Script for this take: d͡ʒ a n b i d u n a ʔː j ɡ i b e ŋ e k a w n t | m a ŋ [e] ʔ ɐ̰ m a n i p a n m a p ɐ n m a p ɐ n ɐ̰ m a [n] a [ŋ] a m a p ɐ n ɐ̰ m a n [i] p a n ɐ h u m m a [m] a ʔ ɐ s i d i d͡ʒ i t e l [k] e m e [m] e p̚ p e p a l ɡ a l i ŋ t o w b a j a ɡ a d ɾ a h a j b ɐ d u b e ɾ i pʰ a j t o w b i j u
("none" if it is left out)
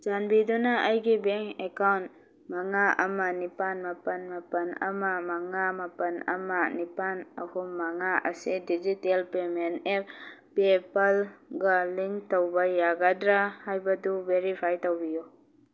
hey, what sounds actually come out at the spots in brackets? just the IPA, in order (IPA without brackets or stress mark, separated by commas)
a, m, ŋ, i, ŋ, p, n